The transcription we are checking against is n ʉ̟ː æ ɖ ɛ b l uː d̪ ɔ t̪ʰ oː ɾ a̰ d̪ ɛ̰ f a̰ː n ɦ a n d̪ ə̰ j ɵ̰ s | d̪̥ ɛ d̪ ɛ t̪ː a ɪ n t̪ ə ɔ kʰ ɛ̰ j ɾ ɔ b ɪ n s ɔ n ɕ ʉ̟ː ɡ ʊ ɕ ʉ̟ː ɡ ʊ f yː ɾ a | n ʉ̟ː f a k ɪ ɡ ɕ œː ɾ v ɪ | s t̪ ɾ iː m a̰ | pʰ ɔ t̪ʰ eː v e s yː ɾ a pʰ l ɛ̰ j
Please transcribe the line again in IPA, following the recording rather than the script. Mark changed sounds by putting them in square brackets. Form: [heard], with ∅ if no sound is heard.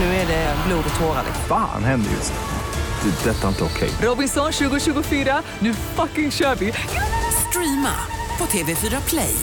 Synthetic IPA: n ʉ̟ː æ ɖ ɛ b l uː d̪ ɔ t̪ʰ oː ɾ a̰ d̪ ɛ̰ f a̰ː n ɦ [ɛ] n d̪ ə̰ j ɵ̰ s | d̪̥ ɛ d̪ ɛ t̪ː a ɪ n t̪ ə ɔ kʰ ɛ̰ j ɾ ɔ b ɪ n s ɔ n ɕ ʉ̟ː ɡ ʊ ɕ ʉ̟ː ɡ ʊ f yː ɾ a | n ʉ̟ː f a k ɪ [ŋ] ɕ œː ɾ v ɪ | s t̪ ɾ iː m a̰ | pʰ ɔ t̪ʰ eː v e [f] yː ɾ a pʰ l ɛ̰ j